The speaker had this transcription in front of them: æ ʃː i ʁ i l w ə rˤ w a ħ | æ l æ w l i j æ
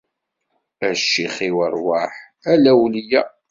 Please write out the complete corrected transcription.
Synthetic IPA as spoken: æ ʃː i χ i w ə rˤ w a ħ | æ l æ w l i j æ